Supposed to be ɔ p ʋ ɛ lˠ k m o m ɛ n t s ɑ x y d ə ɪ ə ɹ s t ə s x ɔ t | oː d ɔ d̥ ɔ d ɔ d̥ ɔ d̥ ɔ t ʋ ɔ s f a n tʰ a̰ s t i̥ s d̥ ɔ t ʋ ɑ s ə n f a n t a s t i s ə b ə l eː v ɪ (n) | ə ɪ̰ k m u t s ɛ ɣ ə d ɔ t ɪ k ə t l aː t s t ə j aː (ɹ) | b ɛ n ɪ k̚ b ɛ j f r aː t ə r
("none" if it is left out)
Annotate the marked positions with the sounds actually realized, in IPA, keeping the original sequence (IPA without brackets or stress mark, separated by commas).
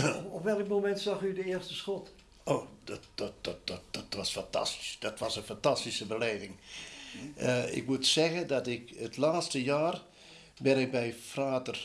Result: ŋ, r